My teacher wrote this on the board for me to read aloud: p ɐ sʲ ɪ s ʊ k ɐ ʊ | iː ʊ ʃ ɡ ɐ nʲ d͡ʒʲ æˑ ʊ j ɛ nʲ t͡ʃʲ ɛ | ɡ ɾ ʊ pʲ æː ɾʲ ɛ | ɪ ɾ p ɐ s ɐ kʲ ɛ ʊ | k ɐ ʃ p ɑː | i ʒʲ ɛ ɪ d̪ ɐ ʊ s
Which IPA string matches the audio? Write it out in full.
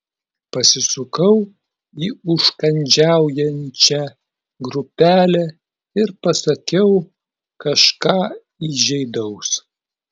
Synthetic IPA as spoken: p ɐ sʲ ɪ s ʊ k ɐ ʊ | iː ʊ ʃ k ɐ nʲ d͡ʒʲ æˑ ʊ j ɛ nʲ t͡ʃʲ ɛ | ɡ ɾ ʊ pʲ æː lʲ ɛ | ɪ ɾ p ɐ s ɐ kʲ ɛ ʊ | k ɐ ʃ k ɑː | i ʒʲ ɛ ɪ d̪ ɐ ʊ s